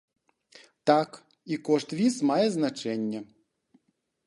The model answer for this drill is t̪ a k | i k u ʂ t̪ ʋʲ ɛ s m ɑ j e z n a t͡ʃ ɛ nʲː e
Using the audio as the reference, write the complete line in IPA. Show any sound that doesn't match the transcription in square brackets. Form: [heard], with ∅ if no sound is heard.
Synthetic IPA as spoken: t̪ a k | i k [o] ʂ t̪ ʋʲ [i] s m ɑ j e z n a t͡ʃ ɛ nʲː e